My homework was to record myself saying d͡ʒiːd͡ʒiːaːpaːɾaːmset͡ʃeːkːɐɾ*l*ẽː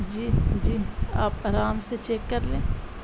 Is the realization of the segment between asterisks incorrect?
no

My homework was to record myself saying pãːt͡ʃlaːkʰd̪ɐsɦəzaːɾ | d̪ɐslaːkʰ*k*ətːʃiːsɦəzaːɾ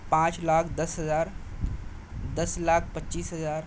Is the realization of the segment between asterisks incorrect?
yes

